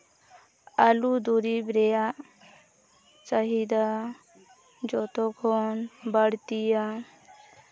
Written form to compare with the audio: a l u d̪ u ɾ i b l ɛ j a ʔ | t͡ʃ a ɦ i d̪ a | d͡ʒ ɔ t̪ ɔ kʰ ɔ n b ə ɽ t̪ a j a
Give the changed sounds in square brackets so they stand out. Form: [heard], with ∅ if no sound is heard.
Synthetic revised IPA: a l u d̪ u ɾ i b [ɾ] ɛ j a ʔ | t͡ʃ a ɦ i d̪ a | d͡ʒ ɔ t̪ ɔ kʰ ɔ n b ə ɽ t̪ [i] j a